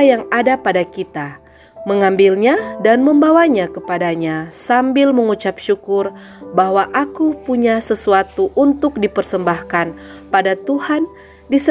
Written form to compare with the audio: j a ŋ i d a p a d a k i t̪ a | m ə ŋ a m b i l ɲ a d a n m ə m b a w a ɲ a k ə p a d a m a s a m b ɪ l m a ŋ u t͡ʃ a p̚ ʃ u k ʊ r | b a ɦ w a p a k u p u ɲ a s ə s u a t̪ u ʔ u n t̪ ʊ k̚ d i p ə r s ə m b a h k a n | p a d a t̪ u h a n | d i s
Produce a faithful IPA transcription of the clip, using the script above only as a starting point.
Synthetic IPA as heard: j a ŋ a d a p a d a k i t̪ a | m ə ŋ a m b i l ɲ a d a n m ə m b a w a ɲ a k ə p a d a ɲ a s a m b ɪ l m ə ŋ u t͡ʃ a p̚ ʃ u k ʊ r | b a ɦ w a ʔ a k u p u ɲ a s ə s u a t̪ u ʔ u n t̪ ʊ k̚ d i p ə r s ə m b a h k a n | p a d a t̪ u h a n | d i s